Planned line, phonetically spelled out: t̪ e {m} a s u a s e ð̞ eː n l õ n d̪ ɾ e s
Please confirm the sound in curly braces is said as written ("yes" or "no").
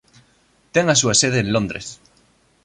no